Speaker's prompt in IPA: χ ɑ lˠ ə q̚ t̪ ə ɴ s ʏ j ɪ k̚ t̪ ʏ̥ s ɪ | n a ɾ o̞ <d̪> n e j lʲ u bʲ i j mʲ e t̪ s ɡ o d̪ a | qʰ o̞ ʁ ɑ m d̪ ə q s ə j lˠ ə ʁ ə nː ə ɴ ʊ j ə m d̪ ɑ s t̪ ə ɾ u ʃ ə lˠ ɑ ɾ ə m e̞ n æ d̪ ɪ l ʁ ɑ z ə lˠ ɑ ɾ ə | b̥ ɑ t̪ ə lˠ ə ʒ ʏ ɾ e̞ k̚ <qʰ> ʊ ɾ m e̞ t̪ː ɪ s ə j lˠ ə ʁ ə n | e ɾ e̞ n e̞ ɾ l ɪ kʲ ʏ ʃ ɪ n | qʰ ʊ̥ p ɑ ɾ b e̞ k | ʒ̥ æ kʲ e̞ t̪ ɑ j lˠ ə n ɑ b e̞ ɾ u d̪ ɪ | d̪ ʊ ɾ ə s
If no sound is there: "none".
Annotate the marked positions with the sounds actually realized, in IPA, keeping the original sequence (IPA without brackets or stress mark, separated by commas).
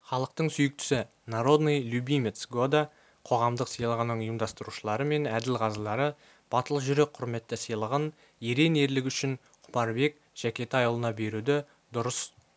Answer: d̪, qʰ